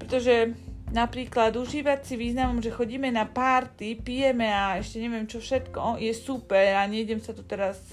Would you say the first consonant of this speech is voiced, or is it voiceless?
voiceless